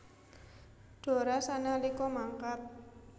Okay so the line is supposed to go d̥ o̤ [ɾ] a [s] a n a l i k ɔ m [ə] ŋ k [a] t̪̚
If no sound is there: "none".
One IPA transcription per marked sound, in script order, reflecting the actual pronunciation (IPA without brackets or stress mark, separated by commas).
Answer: ɾ, s, a, a